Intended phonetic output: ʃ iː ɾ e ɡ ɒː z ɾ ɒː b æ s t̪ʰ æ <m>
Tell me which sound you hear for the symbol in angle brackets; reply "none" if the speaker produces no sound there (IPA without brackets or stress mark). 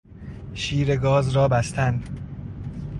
n